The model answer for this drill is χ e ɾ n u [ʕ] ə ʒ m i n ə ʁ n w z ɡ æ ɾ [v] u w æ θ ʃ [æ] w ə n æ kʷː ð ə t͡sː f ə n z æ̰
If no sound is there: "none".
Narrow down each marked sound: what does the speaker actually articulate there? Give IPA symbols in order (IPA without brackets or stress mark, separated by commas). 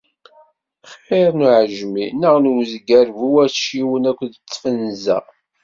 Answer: ʕ, v, i